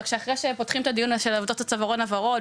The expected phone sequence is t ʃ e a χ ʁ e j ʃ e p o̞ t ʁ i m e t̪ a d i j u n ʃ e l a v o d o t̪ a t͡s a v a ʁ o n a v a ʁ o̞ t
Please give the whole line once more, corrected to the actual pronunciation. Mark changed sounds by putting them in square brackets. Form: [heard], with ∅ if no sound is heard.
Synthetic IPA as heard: [k] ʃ e a χ ʁ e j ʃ e p o̞ t [χ] i m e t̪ a d i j u n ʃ e l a v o d o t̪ a t͡s a v a ʁ o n a v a ʁ o̞ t